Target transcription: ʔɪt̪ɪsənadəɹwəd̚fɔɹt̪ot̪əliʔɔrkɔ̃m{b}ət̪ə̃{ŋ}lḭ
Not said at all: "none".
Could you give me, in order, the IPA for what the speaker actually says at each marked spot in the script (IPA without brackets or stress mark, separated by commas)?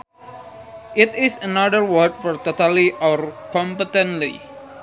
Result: p, n